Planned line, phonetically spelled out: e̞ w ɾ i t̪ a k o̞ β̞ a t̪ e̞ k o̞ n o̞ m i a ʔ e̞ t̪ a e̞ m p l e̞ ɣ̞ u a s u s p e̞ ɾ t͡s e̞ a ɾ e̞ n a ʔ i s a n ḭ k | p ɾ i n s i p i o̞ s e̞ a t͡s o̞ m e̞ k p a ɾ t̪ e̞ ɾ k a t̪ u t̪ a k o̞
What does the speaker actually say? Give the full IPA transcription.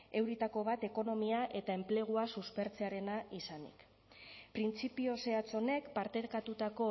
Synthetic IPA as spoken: e̞ w ɾ i t̪ a k o̞ β̞ a t̪ e̞ k o̞ n o̞ m i a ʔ e̞ t̪ a e̞ m p l e̞ ɣ̞ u a s u s p e̞ ɾ t͡s e̞ a ɾ e̞ n a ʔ i s a n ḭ k | p ɾ i n t͡s i p i o̞ s e̞ a t͡s o̞ n e̞ k p a ɾ t̪ e̞ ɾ k a t̪ u t̪ a k o̞

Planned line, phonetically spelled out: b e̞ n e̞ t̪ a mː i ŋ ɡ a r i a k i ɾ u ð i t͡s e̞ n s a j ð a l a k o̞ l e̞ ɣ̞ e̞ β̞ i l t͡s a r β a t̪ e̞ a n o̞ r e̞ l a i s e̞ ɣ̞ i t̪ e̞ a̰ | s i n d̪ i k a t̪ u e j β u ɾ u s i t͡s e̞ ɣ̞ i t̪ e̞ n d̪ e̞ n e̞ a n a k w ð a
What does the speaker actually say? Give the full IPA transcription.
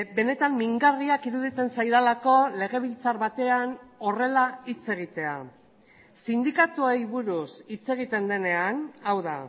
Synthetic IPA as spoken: b e̞ n e̞ t̪ a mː i ŋ ɡ a r i a k i ɾ u ð i t͡s e̞ n s a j ð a l a k o̞ l e̞ ɣ̞ e̞ β̞ i l t͡s a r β a t̪ e̞ a n o̞ r e̞ l a i t͡s e̞ ɣ̞ i t̪ e̞ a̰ | s i n d̪ i k a t̪ u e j β u ɾ u s i t͡s e̞ ɣ̞ i t̪ e̞ n d̪ e̞ n e̞ a n a w ð a

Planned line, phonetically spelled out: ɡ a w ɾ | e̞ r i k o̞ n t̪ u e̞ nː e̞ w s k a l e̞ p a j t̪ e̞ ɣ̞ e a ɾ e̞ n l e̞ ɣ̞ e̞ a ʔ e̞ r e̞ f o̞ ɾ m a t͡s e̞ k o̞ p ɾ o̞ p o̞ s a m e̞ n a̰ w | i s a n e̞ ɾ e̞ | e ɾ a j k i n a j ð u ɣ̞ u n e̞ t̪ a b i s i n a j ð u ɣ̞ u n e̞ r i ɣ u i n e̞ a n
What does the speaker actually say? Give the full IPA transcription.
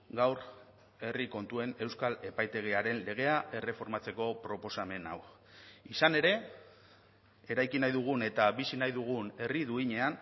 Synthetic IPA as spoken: ɡ a w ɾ | e̞ r i k o̞ n t̪ u e̞ n e̞ w s k a l e̞ p a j t̪ e̞ ɣ̞ e a ɾ e̞ n l e̞ ɣ̞ e̞ a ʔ e̞ r e̞ f o̞ ɾ m a t͡s e̞ k o̞ p ɾ o̞ p o̞ s a m e̞ n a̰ w | i s a n e̞ ɾ e̞ | e ɾ a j k i n a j ð u ɣ̞ u n e̞ t̪ a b i s i n a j ð u ɣ̞ u n e̞ r i ð u i ɲ e̞ a n

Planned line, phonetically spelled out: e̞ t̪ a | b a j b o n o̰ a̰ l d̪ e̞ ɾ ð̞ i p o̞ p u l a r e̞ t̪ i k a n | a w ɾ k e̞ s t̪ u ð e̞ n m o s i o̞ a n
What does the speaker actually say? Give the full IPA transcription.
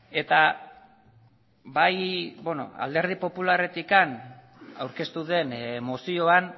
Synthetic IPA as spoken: e̞ t̪ a | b a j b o n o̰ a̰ l d̪ e̞ ɾ ð̞ i p o̞ p u l a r e̞ t̪ i k a n | a w ɾ k e̞ s t̪ u ð e̞ n m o s i o̞ a n

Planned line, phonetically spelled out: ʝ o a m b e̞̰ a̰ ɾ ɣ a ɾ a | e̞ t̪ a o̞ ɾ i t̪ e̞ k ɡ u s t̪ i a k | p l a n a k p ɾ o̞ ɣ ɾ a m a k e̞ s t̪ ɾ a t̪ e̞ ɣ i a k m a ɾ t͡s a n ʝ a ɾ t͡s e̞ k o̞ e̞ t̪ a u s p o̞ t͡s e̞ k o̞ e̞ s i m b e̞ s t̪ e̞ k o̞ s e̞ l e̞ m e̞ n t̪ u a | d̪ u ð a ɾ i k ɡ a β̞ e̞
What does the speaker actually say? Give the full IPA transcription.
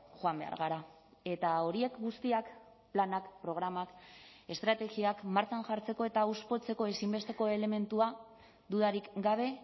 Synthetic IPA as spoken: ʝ o a m b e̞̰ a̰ ɾ ɣ a ɾ a | e̞ t̪ a o̞ ɾ i e̞ k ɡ u s t̪ i a k | p l a n a k p ɾ o̞ ɣ ɾ a m a k e̞ s t̪ ɾ a t̪ e̞ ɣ i a k m a ɾ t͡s a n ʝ a ɾ t͡s e̞ k o̞ e̞ t̪ a u s p o̞ t͡s e̞ k o̞ e̞ s i m b e̞ s t̪ e̞ k o̞ e̞ l e̞ m e̞ n t̪ u a | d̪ u ð a ɾ i k ɡ a β̞ e̞

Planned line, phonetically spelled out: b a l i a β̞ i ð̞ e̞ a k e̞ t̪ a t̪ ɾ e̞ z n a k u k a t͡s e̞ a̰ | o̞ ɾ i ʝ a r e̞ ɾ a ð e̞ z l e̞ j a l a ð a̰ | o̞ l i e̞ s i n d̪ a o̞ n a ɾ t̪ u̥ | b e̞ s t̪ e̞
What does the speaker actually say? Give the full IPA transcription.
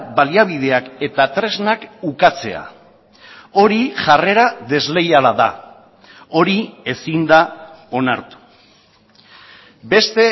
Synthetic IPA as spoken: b a l i a β̞ i ð̞ e̞ a k e̞ t̪ a t̪ ɾ e̞ z n a k u k a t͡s e̞ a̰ | o̞ ɾ i ʝ a r e̞ ɾ a ð e̞ z l e̞ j a l a ð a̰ | o̞ ɾ i e̞ s i n d̪ a o̞ n a ɾ t̪ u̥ | b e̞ s t̪ e̞

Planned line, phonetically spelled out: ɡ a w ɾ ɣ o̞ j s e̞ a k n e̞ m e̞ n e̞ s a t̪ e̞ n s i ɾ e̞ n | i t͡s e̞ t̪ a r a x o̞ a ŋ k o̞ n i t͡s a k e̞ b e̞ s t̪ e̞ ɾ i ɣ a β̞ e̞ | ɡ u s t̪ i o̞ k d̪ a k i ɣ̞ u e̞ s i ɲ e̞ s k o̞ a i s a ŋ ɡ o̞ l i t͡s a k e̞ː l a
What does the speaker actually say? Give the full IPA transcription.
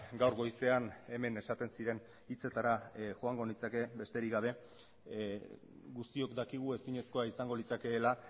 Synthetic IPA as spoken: ɡ a w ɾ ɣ o̞ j s e̞ a n e̞ m e̞ n e̞ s a t̪ e̞ n s i ɾ e̞ n | i t͡s e̞ t̪ a ɾ a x o̞ a ŋ ɡ o̞ n i t͡s a k e̞ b e̞ s t̪ e̞ ɾ i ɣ a β̞ e̞ | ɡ u s t̪ i o̞ k d̪ a k i ɣ̞ u e̞ s i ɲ e̞ s k o̞ a i s a ŋ ɡ o̞ l i t͡s a k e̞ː l a

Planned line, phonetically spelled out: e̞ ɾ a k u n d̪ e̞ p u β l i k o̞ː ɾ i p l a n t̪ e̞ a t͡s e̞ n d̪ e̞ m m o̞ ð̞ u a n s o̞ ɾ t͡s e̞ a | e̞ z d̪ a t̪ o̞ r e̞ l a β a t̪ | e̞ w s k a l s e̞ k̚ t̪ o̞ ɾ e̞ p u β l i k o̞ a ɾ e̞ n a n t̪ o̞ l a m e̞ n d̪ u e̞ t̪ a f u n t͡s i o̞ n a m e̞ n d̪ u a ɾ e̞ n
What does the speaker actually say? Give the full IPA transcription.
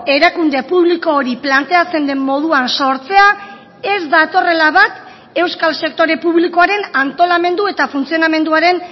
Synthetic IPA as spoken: e̞ ɾ a k u n d̪ e̞ p u β l i k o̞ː ɾ i p l a n t̪ e̞ a t͡s e̞ n d̪ e̞ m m o̞ ð̞ u a n s o̞ ɾ t͡s e̞ a | e̞ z d̪ a t̪ o̞ r e̞ l a β a t̪ | e̞ w s k a l s e̞ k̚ t̪ o̞ ɾ e̞ p u β l i k o̞ a ɾ e̞ n a n t̪ o̞ l a m e̞ n d̪ u e̞ t̪ a f u n t͡s i o̞ n a m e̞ n d̪ u a ɾ e̞ n

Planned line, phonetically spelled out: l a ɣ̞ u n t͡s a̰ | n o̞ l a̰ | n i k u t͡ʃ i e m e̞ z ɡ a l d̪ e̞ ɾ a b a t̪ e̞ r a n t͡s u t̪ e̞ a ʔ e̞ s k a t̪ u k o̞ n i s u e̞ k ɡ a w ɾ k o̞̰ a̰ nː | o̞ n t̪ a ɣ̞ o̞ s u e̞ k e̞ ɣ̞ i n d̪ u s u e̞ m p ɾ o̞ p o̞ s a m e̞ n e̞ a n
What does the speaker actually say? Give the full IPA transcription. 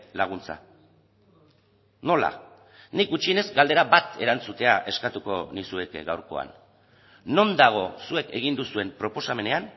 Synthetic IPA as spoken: l a ɣ̞ u n t͡s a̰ | n o̞ l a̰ | n i k u t͡ʃ i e n e̞ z ɡ a l d̪ e̞ ɾ a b a t̪ e̞ ɾ a n t͡s u t̪ e̞ a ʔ e̞ s k a t̪ u k o̞ n i s u e̞ k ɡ a w ɾ k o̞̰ a̰ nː | o̞ n d̪ a ɣ̞ o̞ s u e̞ k e̞ ɣ̞ i n d̪ u s u e̞ m p ɾ o̞ p o̞ s a m e̞ n e̞ a n

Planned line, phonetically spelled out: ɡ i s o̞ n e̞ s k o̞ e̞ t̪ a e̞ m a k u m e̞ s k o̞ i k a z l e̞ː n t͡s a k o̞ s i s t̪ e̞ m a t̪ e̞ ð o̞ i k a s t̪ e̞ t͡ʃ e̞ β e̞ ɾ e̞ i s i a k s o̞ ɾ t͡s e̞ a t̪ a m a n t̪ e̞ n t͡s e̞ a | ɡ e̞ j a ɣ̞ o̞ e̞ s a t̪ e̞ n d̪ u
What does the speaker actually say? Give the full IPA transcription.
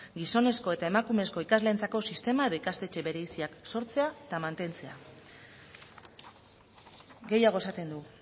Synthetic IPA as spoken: ɡ i s o̞ n e̞ s k o̞ e̞ t̪ a e̞ m a k u m e̞ s k o̞ i k a z l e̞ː n t͡s a k o̞ s i s t̪ e̞ m a e̞ ð o̞ i k a s t̪ e̞ t͡ʃ e̞ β e̞ ɾ e̞ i s i a k s o̞ ɾ t͡s e̞ a t̪ a m a n t̪ e̞ n t͡s e̞ a | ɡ e̞ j a ɣ̞ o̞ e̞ s a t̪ e̞ n d̪ u

